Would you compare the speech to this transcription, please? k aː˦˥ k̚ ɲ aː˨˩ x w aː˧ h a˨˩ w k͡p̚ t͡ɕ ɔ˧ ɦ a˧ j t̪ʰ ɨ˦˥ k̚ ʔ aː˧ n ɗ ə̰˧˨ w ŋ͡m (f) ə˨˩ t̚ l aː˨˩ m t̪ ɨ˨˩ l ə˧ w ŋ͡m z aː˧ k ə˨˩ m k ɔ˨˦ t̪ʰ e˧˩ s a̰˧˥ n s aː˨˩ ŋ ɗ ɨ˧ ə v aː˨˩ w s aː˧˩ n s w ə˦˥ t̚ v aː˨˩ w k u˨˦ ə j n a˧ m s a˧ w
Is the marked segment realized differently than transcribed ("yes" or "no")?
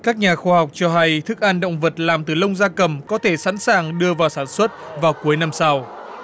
yes